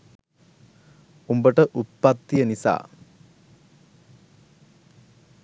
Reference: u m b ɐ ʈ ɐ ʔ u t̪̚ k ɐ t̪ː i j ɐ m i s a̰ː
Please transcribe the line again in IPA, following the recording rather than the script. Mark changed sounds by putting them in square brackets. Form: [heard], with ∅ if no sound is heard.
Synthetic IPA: u m b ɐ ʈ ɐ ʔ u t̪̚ [p] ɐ t̪ː i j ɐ [n] i s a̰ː